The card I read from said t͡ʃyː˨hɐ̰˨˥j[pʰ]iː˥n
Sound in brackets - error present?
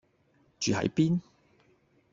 yes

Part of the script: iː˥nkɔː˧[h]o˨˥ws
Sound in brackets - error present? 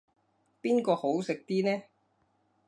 no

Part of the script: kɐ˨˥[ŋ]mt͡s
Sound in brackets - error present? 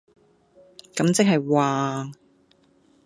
yes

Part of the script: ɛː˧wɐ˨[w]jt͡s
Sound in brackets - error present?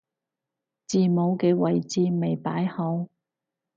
yes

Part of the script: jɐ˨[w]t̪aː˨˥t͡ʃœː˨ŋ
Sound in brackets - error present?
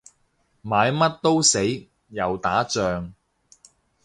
no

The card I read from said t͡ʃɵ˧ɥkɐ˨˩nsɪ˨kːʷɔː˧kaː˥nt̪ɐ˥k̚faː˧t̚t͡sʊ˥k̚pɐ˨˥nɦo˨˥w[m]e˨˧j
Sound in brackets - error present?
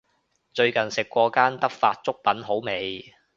no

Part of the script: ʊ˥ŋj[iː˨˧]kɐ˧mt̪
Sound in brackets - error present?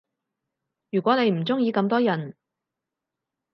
no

